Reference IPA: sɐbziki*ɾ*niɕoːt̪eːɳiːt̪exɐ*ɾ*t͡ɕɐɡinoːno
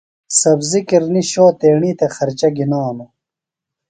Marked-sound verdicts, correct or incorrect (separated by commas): correct, correct